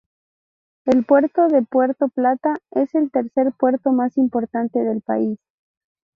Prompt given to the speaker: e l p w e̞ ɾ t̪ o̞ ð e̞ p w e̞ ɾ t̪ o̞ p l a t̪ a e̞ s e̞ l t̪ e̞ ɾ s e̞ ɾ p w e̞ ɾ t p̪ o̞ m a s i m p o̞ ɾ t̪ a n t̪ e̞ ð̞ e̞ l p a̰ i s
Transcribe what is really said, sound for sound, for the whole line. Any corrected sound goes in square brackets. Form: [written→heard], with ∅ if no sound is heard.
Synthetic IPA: e l p w e̞ ɾ t̪ o̞ ð e̞ p w e̞ ɾ t̪ o̞ p l a t̪ a e̞ s e̞ l t̪ e̞ ɾ s e̞ ɾ p w e̞ ɾ t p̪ o̞ m a s i m p o̞ ɾ t̪ a n t̪ e̞ ð̞ e̞ l p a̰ i s